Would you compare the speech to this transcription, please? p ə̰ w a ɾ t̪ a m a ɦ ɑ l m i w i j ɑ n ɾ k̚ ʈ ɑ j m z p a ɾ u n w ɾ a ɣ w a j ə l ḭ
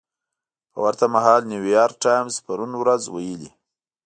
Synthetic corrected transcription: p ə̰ w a ɾ t̪ a m a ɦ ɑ l n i w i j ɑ ɾ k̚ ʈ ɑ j m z p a ɾ u n w ɾ a z w a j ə l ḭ